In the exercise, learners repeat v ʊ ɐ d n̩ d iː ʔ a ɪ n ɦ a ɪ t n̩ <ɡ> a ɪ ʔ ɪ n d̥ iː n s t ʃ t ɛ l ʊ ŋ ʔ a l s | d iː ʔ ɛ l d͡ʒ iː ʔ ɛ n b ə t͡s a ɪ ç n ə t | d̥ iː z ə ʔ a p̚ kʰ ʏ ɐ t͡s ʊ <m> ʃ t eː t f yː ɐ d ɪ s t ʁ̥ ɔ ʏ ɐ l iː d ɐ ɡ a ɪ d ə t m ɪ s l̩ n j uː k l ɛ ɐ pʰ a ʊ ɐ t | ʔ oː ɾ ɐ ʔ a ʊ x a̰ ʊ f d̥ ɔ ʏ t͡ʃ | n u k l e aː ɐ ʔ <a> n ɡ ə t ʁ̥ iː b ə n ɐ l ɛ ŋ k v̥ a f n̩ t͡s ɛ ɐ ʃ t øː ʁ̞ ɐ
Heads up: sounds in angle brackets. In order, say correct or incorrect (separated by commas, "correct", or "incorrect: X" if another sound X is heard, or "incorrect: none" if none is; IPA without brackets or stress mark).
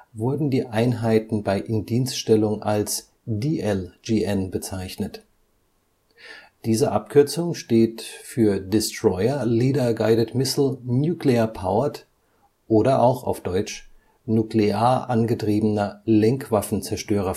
incorrect: b, incorrect: ŋ, correct